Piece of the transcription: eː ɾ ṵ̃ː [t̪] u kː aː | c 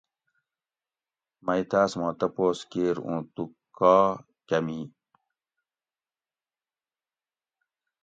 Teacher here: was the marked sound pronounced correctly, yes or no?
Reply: yes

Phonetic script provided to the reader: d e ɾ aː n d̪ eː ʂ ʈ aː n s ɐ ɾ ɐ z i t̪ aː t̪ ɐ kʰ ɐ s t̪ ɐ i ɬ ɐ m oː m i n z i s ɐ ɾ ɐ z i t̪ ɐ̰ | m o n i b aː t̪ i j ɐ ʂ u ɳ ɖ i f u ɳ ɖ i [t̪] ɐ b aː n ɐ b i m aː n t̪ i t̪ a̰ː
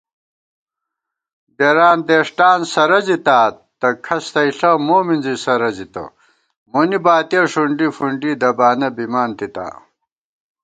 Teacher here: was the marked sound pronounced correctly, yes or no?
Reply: no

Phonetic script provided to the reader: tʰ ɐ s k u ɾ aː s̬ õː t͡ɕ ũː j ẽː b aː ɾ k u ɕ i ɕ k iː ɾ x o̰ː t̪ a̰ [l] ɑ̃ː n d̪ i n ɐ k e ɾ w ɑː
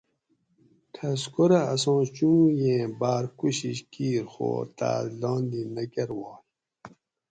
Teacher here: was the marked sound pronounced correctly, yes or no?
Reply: yes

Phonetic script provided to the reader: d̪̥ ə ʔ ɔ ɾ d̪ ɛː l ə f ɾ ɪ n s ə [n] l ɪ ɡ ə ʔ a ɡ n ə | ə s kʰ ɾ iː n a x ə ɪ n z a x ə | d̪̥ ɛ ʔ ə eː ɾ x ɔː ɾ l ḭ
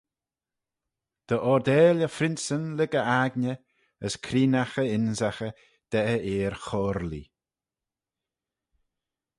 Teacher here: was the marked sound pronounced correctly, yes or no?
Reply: yes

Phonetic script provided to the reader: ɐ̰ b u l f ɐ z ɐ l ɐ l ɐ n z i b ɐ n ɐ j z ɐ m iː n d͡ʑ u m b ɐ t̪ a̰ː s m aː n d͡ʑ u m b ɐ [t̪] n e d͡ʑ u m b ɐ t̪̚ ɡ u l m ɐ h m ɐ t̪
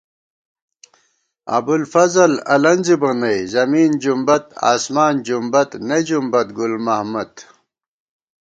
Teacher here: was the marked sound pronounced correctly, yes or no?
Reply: yes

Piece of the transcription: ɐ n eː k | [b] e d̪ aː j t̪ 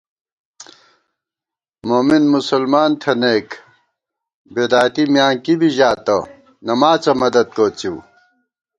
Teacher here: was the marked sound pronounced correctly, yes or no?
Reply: yes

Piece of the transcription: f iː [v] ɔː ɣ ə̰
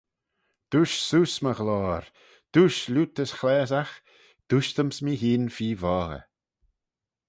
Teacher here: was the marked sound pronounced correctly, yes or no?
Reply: yes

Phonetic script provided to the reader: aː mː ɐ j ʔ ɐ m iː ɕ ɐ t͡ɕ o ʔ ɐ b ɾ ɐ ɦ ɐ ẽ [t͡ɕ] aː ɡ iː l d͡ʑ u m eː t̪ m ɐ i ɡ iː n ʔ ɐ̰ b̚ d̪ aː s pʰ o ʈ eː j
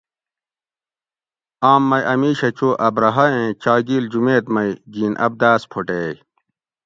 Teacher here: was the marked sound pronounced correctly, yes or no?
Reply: yes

